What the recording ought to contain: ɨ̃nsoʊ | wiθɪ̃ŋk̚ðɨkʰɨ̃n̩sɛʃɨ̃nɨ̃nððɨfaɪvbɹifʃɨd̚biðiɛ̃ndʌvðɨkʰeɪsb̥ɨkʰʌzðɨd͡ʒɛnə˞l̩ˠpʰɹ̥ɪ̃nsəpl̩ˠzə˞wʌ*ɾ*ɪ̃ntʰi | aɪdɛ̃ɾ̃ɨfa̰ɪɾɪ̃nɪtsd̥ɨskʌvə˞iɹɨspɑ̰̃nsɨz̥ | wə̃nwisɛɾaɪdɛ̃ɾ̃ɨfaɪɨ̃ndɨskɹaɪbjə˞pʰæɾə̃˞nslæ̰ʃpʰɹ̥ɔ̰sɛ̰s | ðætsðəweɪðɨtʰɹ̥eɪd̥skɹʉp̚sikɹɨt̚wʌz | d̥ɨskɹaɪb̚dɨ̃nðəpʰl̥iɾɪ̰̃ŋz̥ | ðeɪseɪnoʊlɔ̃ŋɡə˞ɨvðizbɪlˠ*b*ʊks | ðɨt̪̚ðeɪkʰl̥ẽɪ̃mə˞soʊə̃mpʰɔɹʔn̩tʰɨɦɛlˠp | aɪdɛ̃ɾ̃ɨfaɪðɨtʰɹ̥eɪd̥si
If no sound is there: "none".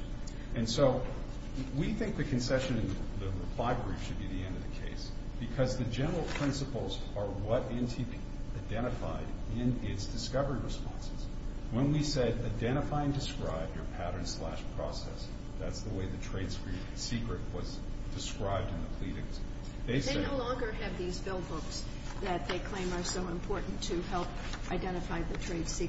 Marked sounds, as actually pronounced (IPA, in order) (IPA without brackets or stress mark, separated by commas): ɾ, b